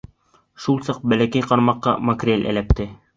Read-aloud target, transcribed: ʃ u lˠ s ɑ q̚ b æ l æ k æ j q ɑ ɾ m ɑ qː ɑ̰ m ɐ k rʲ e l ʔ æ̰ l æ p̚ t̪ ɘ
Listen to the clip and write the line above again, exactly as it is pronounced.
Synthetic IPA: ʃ u lˠ s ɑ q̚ b æ l æ k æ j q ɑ ɾ m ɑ qː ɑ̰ m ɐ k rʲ e l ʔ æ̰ l æ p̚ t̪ ɘ